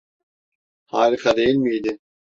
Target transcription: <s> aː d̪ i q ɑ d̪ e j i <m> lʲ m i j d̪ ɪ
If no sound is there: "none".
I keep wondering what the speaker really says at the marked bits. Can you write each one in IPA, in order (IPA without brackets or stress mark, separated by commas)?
h, none